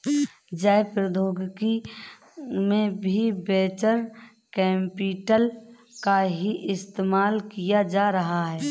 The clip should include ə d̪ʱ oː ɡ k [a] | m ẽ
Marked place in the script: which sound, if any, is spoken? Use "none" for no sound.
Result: i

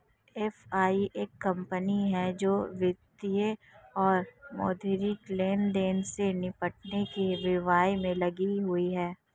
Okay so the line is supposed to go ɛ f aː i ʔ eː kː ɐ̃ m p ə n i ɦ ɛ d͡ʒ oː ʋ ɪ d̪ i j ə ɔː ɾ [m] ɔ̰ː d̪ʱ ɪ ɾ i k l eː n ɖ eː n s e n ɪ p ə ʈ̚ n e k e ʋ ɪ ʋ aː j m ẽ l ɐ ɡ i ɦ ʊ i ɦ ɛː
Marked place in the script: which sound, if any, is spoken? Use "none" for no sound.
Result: m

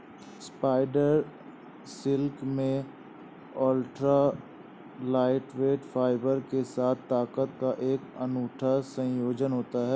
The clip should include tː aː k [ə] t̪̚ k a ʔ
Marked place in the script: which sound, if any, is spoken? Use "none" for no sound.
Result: ə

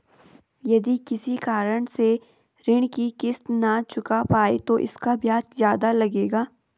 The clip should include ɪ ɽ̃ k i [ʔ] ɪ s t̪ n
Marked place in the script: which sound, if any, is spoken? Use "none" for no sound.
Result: k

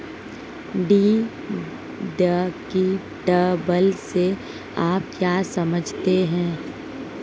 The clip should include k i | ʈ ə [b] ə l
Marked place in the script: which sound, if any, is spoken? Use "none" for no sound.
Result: b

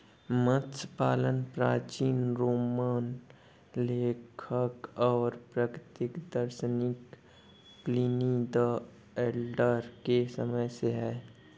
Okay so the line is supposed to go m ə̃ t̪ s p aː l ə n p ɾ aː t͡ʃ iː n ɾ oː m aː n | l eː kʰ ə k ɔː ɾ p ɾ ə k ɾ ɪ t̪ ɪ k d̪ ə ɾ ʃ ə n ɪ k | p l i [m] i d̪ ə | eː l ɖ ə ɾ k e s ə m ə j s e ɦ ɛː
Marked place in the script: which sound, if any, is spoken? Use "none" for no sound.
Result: n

